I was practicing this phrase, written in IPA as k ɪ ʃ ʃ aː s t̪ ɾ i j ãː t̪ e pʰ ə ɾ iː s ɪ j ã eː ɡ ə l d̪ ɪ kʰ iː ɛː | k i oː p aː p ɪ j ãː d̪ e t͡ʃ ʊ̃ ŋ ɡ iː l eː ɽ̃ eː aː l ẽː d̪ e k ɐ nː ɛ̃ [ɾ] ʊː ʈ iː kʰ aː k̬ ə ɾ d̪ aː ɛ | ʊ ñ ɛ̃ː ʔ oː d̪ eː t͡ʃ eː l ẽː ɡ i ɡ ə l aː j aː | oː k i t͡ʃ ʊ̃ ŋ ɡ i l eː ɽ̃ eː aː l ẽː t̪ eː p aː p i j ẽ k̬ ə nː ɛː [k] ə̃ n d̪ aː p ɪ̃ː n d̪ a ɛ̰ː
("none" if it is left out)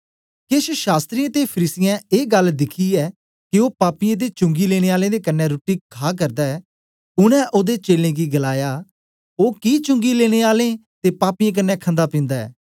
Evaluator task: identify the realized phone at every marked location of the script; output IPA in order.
ɾ, kʰ

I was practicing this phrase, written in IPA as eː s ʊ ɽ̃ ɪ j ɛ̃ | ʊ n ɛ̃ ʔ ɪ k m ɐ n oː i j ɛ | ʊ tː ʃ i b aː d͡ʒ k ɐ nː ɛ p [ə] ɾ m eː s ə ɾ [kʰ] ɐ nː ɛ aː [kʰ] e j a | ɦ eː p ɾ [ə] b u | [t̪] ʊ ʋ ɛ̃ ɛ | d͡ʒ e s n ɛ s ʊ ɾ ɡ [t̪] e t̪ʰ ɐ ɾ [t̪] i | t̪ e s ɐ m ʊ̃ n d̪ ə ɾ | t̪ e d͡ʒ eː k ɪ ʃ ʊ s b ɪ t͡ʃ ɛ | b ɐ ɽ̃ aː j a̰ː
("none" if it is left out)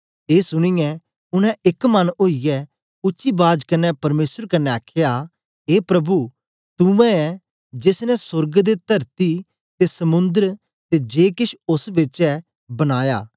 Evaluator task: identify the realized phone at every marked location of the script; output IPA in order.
ɐ, k, kʰ, ɐ, t̪, d̪, t̪

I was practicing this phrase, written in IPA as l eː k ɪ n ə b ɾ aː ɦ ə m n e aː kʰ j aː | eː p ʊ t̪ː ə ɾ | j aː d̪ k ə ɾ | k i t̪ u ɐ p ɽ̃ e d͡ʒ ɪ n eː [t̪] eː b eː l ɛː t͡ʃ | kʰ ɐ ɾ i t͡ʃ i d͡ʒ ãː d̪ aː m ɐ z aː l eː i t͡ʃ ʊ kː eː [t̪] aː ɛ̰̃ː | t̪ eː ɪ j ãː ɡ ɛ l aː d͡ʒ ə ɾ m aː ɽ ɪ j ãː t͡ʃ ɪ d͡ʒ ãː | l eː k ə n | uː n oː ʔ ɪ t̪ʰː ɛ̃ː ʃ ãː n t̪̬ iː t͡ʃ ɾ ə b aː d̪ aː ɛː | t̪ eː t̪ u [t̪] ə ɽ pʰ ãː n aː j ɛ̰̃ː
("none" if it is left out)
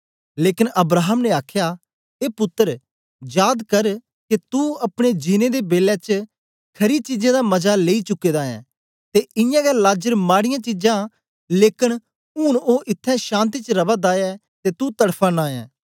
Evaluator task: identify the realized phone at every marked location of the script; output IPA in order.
d̪, d̪, t̪

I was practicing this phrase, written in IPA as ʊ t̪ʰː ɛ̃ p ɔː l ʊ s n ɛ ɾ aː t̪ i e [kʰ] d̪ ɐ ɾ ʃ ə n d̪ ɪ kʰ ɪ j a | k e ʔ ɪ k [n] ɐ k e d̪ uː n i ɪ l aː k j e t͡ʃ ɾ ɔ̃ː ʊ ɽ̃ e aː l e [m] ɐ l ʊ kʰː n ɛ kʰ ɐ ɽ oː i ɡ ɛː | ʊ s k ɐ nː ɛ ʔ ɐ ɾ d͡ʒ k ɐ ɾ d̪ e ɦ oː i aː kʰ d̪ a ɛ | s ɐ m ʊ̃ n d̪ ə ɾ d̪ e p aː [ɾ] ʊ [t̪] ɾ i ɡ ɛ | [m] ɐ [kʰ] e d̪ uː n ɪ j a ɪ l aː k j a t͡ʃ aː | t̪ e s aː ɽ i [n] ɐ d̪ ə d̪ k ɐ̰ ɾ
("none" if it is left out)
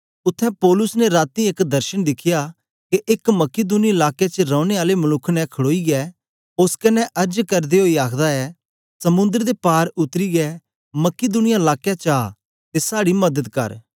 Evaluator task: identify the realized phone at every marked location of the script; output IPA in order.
k, m, m, ɾ, t̪, m, k, m

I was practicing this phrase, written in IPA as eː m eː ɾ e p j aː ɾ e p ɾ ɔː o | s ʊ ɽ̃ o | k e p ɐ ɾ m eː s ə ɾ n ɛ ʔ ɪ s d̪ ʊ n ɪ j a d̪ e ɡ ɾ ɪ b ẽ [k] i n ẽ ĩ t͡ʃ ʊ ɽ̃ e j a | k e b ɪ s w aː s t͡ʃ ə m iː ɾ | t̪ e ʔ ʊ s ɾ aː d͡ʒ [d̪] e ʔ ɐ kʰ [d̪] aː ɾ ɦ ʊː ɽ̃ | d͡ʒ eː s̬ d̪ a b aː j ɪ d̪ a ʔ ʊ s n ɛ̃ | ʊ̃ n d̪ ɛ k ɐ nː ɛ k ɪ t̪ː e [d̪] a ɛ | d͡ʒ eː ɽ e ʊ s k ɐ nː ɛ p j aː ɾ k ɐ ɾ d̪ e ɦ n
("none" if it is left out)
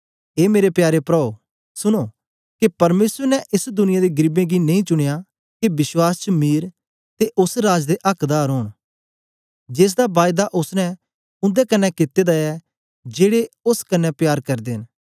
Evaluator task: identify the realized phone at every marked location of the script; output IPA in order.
ɡ, d̪, d̪, d̪

